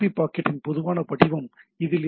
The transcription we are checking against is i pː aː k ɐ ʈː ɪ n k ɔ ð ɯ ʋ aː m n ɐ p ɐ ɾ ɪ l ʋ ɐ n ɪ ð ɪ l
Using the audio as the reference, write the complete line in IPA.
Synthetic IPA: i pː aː k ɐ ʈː ɪ n p ɔ ð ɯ ʋ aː n ɐ p ɐ ɽ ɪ ʋ ɐ m ɪ ð ɪ l